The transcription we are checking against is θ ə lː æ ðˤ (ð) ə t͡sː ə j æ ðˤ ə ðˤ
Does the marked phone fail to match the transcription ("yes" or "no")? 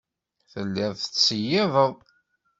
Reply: yes